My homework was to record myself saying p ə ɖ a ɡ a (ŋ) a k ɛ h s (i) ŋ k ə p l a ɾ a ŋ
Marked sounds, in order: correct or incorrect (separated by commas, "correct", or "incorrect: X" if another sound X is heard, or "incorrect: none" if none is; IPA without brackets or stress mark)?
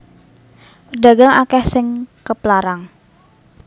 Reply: correct, incorrect: ɪ